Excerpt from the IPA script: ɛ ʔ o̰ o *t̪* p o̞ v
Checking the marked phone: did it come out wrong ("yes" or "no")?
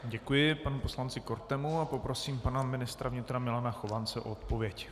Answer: no